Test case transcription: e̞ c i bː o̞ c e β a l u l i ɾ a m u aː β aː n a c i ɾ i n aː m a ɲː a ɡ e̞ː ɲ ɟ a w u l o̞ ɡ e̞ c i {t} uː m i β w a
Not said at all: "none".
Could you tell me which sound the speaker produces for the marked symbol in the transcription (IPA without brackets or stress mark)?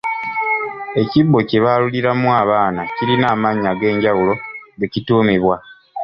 t